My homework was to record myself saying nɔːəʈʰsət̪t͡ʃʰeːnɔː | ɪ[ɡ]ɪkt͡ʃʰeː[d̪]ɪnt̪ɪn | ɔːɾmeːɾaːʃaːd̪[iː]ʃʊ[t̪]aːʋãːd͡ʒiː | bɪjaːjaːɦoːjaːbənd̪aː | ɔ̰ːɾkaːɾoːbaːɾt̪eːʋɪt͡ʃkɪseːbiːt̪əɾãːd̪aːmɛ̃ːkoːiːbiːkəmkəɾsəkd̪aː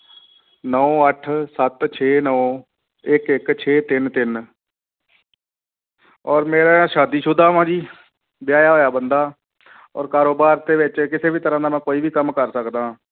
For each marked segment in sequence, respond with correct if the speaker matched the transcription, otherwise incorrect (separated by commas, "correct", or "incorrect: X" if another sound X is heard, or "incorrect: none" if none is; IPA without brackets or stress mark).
incorrect: k, incorrect: t̪, correct, incorrect: d̪